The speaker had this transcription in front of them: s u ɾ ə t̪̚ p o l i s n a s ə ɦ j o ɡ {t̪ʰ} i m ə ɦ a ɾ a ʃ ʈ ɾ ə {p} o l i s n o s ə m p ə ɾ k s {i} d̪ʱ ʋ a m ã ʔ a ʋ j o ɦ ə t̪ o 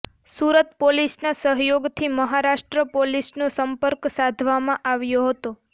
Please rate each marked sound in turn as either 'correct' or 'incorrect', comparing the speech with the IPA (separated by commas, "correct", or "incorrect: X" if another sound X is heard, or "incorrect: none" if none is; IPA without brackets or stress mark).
correct, correct, incorrect: a